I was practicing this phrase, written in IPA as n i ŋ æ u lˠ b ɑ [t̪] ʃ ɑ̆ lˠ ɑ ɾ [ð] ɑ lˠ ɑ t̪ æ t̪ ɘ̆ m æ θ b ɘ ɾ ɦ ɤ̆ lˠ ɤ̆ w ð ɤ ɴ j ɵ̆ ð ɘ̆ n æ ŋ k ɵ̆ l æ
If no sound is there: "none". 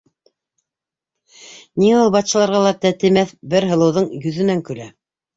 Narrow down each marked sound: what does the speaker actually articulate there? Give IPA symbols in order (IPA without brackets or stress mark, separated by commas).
t̪, ʁ